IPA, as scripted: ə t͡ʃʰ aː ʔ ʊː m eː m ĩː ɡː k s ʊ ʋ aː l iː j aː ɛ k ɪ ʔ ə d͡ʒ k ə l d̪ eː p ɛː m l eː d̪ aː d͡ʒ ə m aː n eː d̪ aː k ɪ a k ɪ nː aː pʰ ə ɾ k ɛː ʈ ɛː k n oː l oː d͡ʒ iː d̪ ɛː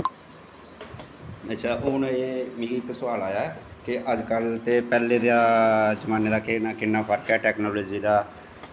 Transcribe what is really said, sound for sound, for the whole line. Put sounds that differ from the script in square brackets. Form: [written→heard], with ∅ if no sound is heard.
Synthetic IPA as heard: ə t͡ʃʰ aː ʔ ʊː [m→n] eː m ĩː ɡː k s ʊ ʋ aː l [iː→aː] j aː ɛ k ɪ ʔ ə d͡ʒ k ə l [d̪→t̪] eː p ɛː [m→∅] l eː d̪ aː d͡ʒ ə m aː n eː d̪ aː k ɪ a k ɪ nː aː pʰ ə ɾ k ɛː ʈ ɛː k n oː l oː d͡ʒ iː d̪ [ɛː→aː]